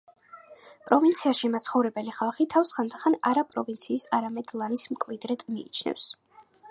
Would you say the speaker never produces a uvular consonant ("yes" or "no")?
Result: no